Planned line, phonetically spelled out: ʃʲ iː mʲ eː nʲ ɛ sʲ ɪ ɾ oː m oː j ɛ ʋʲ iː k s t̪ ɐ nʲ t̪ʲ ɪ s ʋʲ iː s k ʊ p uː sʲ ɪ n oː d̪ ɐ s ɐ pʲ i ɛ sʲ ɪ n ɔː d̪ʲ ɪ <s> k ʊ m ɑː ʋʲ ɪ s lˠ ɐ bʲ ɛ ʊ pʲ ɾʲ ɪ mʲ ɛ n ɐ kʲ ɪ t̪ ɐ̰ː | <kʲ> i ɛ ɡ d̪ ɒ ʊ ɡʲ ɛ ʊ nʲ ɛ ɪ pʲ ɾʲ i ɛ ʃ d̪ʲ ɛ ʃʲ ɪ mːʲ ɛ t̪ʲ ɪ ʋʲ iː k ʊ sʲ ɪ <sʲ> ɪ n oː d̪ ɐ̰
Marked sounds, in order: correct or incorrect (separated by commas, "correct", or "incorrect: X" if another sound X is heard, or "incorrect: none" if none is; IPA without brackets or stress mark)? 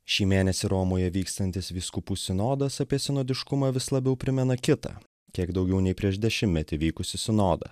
incorrect: ʃ, correct, correct